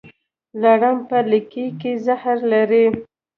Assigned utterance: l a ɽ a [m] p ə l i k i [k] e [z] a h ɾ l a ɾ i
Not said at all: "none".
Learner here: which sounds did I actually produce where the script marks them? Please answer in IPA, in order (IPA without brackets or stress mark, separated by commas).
m, k, z